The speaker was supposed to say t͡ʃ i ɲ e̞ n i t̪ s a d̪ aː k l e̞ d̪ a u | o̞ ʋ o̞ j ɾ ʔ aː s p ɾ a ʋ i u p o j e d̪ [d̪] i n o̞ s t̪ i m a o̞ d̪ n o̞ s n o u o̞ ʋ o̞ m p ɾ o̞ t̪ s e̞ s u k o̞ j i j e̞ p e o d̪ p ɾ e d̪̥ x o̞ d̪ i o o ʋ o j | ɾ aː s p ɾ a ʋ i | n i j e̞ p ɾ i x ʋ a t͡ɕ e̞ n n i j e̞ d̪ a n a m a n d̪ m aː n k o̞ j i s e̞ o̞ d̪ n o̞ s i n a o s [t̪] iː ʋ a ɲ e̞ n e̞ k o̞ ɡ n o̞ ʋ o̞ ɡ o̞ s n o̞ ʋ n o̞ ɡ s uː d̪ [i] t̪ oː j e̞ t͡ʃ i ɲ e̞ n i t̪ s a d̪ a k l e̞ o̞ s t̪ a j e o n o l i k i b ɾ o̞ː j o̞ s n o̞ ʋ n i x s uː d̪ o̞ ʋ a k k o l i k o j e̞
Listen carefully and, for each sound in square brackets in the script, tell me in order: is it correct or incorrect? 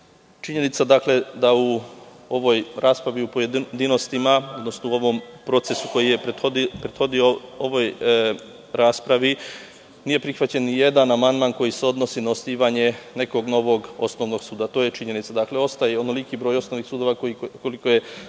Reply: correct, correct, incorrect: a

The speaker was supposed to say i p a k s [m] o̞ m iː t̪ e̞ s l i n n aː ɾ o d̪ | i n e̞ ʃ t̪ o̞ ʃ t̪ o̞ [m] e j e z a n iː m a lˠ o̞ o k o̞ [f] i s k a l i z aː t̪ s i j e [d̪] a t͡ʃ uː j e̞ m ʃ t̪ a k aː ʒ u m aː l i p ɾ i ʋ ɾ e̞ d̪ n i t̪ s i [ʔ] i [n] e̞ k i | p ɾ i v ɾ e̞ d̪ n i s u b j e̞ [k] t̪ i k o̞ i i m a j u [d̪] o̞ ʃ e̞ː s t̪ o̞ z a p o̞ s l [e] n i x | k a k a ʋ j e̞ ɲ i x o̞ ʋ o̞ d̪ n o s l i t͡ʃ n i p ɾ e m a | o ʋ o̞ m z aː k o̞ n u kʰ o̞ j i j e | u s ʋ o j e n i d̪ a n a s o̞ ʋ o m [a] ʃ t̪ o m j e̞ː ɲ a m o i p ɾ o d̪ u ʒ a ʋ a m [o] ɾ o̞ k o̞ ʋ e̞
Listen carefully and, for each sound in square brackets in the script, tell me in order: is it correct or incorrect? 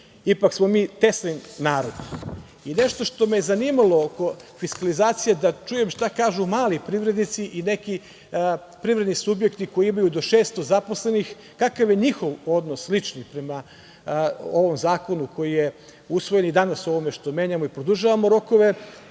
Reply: correct, correct, correct, correct, correct, correct, correct, correct, correct, incorrect: e, correct

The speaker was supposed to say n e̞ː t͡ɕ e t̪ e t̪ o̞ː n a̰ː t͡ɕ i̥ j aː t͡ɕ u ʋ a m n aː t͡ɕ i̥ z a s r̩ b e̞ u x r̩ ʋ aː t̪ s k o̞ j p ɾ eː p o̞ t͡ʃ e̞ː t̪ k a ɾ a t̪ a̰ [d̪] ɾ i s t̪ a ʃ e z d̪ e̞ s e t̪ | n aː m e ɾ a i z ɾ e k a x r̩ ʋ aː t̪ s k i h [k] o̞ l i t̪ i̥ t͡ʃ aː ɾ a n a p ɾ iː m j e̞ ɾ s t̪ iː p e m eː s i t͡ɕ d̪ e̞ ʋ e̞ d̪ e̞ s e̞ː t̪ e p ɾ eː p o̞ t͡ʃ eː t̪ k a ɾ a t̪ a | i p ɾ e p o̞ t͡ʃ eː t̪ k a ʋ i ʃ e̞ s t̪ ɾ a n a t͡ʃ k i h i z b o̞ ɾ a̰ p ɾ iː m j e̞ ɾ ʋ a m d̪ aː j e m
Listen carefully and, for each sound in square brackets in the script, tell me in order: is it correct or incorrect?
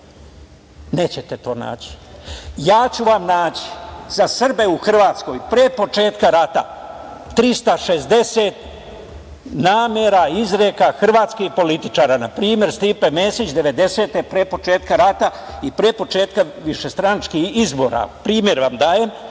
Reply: incorrect: t̪, incorrect: p

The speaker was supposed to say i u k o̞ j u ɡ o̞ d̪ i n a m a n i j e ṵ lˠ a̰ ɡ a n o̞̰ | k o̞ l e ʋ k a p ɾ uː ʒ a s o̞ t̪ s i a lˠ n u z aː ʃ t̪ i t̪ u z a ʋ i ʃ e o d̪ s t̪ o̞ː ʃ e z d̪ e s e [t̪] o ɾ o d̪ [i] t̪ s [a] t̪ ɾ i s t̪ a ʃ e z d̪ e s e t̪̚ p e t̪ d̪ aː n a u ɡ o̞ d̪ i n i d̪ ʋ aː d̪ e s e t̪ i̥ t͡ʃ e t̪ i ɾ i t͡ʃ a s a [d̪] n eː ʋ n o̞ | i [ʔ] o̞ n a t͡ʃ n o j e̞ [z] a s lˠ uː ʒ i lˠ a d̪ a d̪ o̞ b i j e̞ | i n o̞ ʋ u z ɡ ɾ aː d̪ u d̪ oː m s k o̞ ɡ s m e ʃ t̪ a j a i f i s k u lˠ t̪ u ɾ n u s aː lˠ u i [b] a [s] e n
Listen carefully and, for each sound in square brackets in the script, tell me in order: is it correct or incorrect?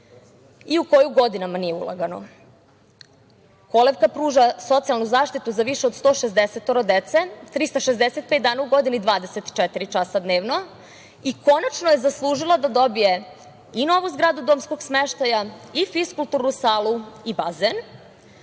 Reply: correct, incorrect: e, incorrect: e, correct, incorrect: k, correct, correct, incorrect: z

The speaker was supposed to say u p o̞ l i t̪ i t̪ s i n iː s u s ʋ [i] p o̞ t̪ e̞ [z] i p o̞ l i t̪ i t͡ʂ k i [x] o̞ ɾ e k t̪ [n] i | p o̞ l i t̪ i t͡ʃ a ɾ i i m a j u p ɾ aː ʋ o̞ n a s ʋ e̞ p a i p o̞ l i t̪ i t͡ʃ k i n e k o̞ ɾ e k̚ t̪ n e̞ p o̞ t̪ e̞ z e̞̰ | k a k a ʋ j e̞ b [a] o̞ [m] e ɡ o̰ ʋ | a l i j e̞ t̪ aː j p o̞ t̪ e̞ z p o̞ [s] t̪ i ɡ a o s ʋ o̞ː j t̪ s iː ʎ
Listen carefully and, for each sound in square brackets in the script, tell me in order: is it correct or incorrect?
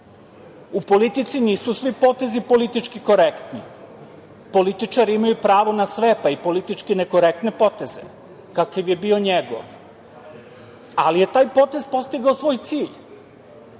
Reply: correct, correct, incorrect: k, correct, incorrect: i, incorrect: ɲ, correct

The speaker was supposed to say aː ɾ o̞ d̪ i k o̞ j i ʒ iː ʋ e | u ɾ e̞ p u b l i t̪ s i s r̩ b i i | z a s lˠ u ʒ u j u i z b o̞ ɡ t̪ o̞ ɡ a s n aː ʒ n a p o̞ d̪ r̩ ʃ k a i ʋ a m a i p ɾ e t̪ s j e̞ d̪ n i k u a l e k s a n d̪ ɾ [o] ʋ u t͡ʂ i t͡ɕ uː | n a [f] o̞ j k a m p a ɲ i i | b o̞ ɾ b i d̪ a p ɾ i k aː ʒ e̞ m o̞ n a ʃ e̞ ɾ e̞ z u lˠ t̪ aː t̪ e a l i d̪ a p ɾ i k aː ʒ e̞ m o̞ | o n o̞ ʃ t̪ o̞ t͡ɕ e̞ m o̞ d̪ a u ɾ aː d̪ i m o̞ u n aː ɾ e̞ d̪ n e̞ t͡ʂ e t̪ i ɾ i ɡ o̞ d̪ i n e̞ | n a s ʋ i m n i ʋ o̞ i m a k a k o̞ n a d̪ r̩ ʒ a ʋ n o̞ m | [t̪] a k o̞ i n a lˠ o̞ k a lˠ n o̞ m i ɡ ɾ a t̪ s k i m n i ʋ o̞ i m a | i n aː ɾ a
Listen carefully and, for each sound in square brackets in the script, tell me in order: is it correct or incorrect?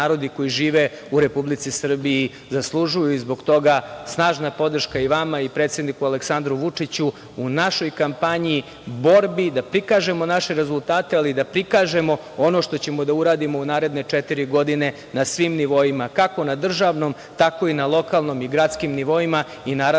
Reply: incorrect: u, incorrect: ʃ, correct

